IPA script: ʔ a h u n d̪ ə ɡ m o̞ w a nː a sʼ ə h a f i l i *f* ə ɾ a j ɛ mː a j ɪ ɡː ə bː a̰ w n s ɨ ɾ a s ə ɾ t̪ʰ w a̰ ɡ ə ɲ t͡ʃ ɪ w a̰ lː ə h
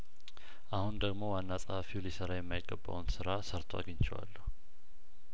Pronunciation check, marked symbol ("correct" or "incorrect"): incorrect